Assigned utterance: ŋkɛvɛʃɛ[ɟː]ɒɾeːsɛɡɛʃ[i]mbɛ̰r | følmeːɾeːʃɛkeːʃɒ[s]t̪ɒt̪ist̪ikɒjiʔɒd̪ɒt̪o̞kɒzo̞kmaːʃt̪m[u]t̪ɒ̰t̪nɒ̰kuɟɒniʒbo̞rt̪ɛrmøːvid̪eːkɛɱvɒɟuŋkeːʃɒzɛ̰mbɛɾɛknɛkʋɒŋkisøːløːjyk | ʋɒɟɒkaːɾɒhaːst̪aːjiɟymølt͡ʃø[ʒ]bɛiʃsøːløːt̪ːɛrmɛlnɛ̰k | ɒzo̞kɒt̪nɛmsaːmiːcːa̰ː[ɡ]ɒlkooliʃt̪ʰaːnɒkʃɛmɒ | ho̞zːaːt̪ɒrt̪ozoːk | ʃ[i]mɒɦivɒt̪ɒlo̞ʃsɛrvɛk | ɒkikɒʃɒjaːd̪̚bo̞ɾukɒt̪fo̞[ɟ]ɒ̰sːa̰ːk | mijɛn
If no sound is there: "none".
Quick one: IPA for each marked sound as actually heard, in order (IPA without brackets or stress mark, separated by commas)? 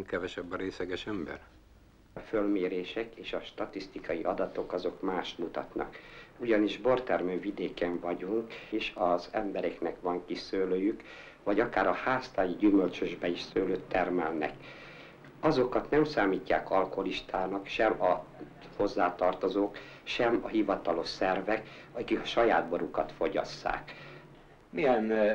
bː, ɛ, ʃ, u, ʒ, k, ɛ, ɟ